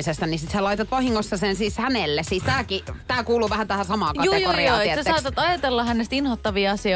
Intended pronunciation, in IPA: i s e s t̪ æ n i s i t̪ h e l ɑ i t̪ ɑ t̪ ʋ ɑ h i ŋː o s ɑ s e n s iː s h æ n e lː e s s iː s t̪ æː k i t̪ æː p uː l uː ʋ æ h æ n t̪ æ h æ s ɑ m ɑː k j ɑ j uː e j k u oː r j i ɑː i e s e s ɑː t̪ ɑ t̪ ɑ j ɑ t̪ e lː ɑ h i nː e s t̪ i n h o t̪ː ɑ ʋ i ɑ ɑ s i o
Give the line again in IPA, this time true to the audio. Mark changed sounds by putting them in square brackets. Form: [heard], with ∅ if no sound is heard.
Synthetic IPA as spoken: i s e s t̪ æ n i s i t̪ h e l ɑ i t̪ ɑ t̪ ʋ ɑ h i ŋː o [sː] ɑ s e n s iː s h æ n e lː e s s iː s t̪ æː k i t̪ æː [k] uː l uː ʋ æ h æ n t̪ æ h æ s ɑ m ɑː k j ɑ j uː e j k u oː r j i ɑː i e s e s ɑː t̪ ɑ t̪ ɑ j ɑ t̪ e lː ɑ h [æ] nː e s t̪ i n h o t̪ː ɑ ʋ i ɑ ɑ s i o